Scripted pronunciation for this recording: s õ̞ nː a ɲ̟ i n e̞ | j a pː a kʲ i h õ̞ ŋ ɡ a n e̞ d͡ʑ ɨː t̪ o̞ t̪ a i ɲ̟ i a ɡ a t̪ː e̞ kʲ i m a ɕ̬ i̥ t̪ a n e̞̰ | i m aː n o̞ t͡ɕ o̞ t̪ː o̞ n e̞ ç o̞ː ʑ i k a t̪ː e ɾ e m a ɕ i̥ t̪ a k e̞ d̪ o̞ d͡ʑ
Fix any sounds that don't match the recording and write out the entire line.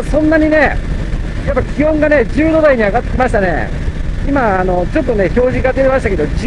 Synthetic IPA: s õ̞ nː a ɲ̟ i n e̞ | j a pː a kʲ i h õ̞ ŋ ɡ a n e̞ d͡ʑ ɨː d̪ o̞ d̪ a i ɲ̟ i a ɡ a t̪ː e̞ kʲ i m a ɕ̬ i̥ t̪ a n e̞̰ | i m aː n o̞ t͡ɕ o̞ t̪ː o̞ n e̞ ç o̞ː ʑ i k a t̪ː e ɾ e m a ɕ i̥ t̪ a k e̞ d̪ o̞ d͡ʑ